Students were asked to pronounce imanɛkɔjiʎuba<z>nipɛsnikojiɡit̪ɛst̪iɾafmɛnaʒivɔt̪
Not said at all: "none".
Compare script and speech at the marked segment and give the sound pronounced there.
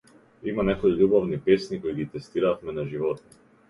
v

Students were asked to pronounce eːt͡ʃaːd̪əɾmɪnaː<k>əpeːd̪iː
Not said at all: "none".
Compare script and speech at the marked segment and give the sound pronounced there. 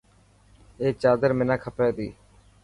kʰ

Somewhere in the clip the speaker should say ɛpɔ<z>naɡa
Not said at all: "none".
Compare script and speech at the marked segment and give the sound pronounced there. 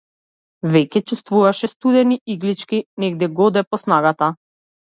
s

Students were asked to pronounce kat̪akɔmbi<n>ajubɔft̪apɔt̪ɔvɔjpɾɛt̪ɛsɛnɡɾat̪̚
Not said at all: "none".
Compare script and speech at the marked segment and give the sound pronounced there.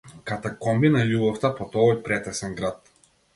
n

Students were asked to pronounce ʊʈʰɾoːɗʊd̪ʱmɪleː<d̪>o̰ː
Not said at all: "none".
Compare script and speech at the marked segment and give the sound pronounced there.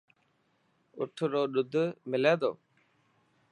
d̪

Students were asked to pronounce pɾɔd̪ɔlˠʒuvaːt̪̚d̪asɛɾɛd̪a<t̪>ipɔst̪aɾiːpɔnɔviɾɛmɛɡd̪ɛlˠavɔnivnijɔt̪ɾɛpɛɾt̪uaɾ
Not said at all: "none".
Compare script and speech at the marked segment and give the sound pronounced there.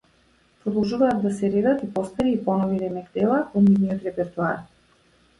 t̪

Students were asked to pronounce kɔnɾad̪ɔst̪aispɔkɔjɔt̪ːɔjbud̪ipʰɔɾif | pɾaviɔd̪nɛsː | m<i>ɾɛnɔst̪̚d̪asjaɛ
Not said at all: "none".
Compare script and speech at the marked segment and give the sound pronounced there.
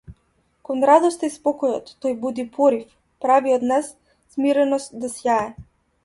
i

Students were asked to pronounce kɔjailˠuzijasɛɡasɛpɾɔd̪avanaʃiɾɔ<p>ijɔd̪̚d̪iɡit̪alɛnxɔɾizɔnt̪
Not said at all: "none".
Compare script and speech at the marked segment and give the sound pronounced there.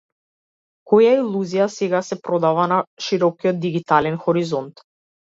k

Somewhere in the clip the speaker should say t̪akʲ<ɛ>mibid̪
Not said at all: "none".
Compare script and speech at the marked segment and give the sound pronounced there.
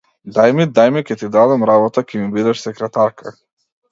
ɛ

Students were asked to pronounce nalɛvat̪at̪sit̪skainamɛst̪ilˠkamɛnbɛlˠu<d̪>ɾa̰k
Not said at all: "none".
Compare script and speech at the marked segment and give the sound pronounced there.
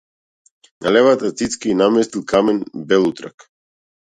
t̪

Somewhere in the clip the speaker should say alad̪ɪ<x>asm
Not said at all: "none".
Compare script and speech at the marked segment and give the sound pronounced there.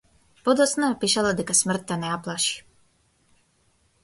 k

